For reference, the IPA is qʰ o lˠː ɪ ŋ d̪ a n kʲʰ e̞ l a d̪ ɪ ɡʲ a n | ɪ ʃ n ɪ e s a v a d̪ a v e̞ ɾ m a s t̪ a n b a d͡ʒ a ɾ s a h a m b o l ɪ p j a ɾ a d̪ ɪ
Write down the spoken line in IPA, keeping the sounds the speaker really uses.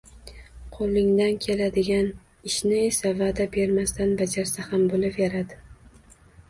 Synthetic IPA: qʰ o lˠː ɪ ŋ d̪ a n kʲʰ e̞ l a d̪ ɪ ɡʲ a n | ɪ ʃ n ɪ e s a v a d̪ a b e̞ ɾ m a s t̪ a n b a d͡ʒ a ɾ s a h a m b o l ɪ p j a ɾ a d̪ ɪ